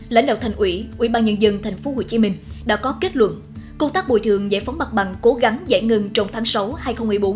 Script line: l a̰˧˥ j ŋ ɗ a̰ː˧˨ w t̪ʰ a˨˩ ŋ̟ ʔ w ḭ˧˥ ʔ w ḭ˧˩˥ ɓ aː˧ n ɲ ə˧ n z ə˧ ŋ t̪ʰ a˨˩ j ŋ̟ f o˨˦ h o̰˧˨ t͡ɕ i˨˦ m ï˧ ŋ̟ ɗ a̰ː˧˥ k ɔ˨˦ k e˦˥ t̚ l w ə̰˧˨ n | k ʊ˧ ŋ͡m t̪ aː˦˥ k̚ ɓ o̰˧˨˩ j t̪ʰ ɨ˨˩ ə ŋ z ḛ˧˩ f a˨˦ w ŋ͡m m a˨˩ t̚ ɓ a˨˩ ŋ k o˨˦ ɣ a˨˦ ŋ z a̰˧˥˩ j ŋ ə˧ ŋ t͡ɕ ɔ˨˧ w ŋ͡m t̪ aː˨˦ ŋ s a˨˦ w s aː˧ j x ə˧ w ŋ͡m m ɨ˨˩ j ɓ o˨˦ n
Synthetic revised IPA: l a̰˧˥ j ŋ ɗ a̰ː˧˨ w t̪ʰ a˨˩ ŋ̟ ʔ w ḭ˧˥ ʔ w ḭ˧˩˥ ɓ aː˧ n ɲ ə˧ n z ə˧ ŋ t̪ʰ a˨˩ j ŋ̟ f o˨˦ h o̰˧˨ t͡ɕ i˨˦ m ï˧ ŋ̟ ɗ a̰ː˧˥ k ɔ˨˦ k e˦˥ t̚ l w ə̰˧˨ n | k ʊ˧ ŋ͡m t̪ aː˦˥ k̚ ɓ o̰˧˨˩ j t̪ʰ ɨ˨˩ ə ŋ z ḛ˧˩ f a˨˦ w ŋ͡m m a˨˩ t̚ ɓ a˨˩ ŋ k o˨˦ ɣ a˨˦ ŋ z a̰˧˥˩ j ŋ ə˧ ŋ t͡ɕ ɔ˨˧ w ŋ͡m t̪ʰ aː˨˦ ŋ s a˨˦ w h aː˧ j x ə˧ w ŋ͡m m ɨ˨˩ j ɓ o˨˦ n